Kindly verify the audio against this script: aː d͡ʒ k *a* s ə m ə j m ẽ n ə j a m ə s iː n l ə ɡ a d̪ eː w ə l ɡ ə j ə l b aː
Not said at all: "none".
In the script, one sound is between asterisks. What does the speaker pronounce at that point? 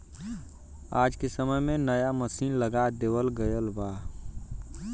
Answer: e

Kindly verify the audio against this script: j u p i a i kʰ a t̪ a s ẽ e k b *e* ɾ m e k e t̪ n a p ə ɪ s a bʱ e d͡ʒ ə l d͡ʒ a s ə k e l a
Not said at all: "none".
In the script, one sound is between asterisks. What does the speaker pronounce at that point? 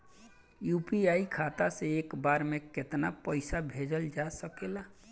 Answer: a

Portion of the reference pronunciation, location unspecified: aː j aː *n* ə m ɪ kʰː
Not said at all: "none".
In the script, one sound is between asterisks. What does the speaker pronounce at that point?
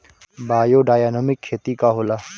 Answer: n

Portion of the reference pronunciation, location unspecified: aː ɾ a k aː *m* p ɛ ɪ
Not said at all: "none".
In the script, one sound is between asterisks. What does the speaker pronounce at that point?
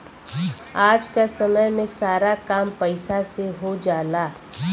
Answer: m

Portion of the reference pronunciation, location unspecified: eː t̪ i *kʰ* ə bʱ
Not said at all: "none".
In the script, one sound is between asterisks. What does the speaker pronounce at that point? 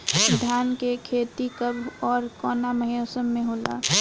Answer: k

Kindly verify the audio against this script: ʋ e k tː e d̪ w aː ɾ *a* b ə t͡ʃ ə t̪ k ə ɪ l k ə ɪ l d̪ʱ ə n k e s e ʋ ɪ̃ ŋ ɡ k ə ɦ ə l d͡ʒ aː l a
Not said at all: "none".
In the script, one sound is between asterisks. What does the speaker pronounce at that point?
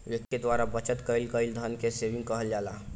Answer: a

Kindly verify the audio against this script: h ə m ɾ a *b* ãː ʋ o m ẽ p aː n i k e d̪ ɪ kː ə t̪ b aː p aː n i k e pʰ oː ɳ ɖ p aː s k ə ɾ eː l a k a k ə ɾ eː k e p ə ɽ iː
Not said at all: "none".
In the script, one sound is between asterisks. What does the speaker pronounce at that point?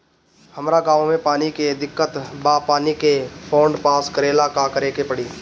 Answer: ɡ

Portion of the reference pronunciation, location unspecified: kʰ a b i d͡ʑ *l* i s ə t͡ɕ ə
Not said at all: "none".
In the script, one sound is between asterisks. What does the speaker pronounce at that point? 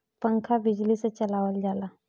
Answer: l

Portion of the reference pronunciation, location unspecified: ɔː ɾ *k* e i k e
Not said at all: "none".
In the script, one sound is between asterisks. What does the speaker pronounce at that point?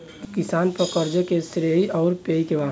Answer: p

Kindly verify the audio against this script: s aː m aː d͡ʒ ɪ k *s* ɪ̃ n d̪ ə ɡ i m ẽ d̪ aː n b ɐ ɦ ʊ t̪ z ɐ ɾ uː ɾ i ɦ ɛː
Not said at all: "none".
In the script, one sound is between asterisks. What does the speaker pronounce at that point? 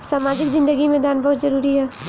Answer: z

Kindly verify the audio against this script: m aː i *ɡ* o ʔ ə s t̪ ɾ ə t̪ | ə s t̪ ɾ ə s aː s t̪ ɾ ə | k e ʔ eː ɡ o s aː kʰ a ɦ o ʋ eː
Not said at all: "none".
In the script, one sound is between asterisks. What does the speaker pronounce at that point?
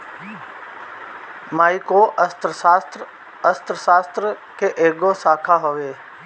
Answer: k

